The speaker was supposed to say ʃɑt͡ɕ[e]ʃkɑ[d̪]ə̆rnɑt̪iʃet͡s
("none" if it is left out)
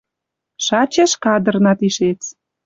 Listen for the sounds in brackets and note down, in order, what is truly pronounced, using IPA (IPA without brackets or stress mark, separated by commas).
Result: e, d̪